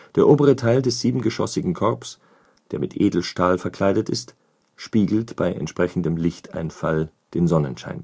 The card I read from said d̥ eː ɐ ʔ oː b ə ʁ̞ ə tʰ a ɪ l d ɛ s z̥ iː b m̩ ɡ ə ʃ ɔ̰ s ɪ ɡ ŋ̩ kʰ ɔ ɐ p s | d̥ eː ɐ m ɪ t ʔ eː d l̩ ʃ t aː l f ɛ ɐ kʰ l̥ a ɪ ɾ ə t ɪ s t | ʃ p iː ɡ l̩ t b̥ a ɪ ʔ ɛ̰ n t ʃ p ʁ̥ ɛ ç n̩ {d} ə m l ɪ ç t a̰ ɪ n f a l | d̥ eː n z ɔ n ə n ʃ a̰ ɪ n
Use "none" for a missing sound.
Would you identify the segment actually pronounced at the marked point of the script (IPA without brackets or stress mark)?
d